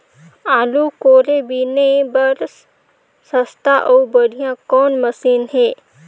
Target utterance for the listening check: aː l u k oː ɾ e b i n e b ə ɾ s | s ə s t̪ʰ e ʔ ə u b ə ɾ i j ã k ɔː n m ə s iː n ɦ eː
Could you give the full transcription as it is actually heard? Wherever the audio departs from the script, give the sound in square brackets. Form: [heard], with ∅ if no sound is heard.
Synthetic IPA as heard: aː l u k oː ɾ e b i n e b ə ɾ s | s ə s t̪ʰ [a] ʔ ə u b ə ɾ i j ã k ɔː n m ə s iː n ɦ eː